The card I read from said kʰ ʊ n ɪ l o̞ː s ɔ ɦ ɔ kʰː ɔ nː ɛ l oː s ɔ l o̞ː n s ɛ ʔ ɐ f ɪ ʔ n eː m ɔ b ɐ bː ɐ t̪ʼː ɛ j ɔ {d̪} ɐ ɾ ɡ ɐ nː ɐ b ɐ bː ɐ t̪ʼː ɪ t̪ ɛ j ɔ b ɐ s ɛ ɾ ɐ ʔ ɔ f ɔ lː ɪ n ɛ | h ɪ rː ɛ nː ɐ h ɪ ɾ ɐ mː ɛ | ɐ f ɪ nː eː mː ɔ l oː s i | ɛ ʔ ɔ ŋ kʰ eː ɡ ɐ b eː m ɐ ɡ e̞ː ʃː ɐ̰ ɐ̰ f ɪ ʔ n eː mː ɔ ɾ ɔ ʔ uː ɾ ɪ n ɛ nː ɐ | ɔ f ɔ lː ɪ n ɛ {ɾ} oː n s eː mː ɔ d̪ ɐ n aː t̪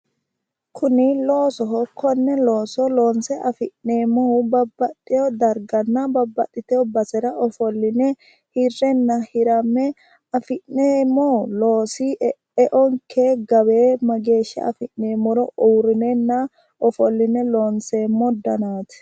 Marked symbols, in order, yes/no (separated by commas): yes, no